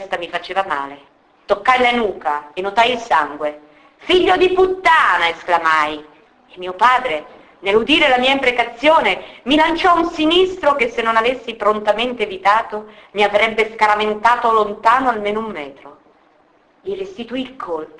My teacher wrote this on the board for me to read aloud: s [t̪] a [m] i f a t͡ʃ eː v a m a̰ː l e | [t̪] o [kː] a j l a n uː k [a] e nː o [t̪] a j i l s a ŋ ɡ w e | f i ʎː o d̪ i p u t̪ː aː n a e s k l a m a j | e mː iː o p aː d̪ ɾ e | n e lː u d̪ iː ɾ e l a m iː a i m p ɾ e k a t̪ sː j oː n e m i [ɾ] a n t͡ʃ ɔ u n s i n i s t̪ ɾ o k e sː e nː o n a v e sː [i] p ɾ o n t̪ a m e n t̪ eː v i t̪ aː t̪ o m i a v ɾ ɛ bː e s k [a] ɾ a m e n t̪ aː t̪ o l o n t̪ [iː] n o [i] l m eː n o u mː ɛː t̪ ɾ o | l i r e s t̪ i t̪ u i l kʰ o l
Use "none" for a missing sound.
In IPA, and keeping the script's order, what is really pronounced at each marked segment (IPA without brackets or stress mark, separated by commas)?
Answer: t̪, m, t̪, kː, a, t̪, l, i, a, aː, a